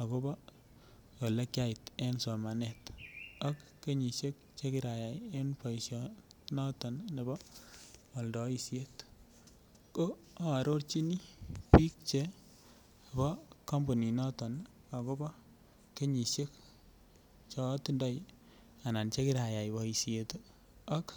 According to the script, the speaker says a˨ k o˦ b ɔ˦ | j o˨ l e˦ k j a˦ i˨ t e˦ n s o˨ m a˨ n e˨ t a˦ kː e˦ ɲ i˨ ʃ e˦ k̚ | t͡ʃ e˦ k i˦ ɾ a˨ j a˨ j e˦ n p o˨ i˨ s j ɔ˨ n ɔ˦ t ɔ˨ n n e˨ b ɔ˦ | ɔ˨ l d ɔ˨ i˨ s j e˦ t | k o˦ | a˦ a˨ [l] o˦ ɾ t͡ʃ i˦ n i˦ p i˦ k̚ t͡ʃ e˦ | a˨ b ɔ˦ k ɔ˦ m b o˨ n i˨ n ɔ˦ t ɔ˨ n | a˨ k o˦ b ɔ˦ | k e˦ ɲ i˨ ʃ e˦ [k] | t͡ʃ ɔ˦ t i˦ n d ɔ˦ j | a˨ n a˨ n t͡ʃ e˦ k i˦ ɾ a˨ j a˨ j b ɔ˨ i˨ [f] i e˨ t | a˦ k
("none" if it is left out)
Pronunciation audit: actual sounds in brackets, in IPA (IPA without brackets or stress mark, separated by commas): ɾ, k, s